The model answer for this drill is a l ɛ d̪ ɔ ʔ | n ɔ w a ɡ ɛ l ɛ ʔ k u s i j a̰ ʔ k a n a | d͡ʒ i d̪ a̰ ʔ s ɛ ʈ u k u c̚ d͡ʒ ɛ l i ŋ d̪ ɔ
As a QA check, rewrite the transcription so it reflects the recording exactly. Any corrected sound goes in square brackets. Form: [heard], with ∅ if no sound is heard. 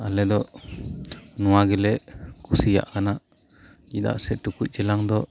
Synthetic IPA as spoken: a l ɛ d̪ ɔ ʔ | n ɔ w a ɡ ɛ l ɛ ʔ k u s i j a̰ ʔ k a n a | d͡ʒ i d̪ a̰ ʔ s ɛ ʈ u k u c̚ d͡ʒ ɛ l [a] ŋ d̪ ɔ